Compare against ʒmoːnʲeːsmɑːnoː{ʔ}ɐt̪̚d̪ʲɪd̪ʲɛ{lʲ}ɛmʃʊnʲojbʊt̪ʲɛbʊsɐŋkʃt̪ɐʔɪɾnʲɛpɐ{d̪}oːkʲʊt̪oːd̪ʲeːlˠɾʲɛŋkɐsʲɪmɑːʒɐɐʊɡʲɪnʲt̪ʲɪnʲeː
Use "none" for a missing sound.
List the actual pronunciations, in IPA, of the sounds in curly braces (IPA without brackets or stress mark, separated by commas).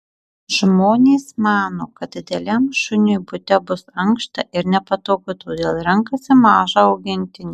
k, lʲ, t̪